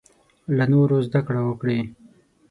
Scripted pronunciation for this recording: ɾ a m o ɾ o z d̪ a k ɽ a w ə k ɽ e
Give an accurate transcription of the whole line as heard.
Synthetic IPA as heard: l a n o ɾ o z d̪ a k ɽ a w ə k ɽ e